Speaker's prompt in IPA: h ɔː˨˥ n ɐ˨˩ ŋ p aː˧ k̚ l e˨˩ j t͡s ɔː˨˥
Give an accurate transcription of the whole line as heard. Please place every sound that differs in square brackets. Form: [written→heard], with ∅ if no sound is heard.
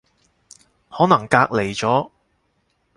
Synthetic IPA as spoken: h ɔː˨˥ n ɐ˨˩ ŋ [p→k] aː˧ k̚ l e˨˩ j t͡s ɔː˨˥

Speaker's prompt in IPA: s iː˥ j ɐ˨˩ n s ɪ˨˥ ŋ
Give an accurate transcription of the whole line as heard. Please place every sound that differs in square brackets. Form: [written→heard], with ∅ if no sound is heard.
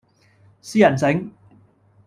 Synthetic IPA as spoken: s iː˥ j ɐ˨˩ n s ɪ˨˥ ŋ

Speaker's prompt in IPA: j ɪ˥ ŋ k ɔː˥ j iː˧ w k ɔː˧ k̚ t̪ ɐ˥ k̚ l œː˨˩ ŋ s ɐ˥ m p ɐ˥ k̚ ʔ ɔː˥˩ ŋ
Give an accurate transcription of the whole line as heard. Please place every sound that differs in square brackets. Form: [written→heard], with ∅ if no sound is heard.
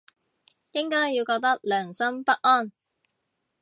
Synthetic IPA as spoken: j ɪ˥ ŋ k ɔː˥ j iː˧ w k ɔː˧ k̚ t̪ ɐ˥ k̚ l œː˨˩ ŋ s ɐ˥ m p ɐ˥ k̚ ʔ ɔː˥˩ [ŋ→n]

